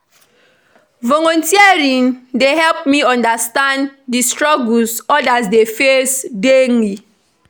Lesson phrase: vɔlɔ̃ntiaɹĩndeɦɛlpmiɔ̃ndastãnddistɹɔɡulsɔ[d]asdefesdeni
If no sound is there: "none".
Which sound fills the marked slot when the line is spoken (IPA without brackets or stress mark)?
d